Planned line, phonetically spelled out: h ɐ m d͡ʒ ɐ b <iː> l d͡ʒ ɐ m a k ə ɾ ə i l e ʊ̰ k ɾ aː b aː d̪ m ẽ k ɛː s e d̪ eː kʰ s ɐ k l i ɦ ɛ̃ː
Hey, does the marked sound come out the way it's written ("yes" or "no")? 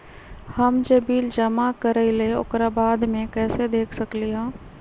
yes